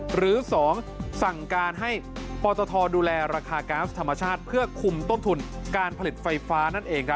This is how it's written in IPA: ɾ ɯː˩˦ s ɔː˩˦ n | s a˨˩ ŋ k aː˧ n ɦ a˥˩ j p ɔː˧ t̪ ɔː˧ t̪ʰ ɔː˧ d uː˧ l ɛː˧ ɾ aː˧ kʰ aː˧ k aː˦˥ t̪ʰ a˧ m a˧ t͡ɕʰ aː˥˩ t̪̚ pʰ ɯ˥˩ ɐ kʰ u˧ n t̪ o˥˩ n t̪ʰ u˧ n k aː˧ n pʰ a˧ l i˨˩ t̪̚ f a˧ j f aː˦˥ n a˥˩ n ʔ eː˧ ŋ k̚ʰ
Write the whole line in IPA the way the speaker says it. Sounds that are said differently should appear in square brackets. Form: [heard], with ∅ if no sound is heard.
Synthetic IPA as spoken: ɾ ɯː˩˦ s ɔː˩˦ [ŋ] | s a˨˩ ŋ k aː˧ n ɦ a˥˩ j p ɔː˧ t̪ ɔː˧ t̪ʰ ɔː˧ d uː˧ l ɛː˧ ɾ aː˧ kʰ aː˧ k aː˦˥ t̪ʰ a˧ m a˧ t͡ɕʰ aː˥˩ t̪̚ pʰ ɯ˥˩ ɐ kʰ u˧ [m] t̪ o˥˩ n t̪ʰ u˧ n k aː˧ n pʰ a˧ l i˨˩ t̪̚ f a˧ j f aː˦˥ n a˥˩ n ʔ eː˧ ŋ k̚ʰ